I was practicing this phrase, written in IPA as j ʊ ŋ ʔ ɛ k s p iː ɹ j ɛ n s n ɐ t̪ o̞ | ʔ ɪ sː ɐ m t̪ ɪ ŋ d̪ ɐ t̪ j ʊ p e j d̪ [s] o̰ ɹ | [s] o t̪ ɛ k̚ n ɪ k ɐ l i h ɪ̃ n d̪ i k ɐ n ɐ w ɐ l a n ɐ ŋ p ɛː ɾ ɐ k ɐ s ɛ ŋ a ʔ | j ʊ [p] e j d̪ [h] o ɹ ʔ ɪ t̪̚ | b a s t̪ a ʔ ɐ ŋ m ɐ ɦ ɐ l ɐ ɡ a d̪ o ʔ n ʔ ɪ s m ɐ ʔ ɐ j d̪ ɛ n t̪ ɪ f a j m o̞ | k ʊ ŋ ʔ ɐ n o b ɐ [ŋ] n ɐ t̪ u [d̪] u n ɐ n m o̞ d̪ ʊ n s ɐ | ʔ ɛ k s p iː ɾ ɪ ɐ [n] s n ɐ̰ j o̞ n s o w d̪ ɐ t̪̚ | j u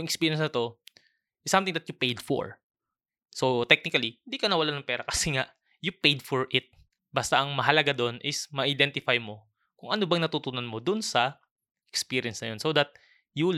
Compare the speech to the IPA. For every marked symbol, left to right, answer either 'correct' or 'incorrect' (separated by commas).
incorrect, correct, correct, incorrect, correct, incorrect, correct